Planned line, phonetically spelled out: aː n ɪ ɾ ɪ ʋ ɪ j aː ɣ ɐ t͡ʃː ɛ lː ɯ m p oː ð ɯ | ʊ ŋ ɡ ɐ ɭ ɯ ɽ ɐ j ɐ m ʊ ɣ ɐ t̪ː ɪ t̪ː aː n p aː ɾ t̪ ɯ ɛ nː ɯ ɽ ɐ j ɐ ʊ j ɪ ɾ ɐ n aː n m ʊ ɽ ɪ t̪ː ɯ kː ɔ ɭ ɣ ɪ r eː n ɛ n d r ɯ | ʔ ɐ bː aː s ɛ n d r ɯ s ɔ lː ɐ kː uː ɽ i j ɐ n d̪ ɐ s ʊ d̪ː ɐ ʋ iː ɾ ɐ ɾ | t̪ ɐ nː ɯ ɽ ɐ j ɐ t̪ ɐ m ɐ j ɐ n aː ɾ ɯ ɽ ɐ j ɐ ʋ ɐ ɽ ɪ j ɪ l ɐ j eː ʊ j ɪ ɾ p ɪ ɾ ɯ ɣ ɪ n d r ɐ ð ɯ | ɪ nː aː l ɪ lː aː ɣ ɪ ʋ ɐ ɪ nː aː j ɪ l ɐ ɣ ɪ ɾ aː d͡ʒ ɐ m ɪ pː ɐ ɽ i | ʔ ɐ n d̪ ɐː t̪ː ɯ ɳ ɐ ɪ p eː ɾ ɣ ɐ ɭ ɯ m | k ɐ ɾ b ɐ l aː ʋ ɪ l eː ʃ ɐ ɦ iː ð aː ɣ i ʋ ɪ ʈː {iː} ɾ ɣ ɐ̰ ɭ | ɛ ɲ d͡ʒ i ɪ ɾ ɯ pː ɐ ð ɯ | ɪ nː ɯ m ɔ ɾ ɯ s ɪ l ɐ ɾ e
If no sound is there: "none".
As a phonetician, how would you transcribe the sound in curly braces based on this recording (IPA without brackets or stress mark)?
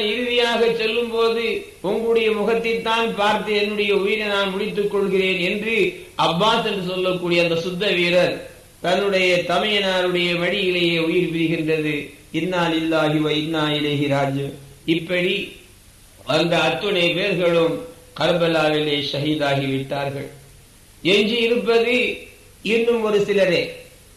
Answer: aː